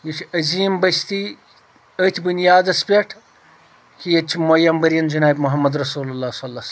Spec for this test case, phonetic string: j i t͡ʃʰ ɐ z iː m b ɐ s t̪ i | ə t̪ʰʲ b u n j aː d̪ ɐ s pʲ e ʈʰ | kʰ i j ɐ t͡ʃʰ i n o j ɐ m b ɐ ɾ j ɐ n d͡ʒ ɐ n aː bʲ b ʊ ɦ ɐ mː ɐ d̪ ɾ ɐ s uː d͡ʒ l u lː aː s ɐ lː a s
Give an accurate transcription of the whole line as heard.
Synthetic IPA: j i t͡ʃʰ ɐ z iː m b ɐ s t̪ i | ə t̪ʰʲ b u n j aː d̪ ɐ s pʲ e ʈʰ | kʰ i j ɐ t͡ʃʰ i m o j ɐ m b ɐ ɾ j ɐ n d͡ʒ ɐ n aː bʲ m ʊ ɦ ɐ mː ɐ d̪ ɾ ɐ s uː l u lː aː s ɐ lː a s